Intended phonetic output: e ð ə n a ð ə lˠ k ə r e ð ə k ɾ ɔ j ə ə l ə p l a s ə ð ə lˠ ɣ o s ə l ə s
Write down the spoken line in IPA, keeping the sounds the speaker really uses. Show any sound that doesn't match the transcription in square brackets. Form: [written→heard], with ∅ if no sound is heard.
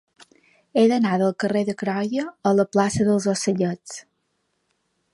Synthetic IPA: e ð ə n a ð ə lˠ k ə r e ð ə k ɾ ɔ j ə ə l ə p l a s ə ð ə lˠ [ɣ→z] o s ə [l→ʎ] ə [s→t͡s]